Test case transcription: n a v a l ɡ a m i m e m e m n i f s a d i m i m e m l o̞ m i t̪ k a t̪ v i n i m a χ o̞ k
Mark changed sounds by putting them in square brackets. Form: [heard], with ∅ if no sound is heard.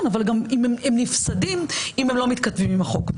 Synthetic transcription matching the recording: n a v a l ɡ a m i m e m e m n i f s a d i m i m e m l o̞ m i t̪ k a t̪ v i [m] i m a χ o̞ k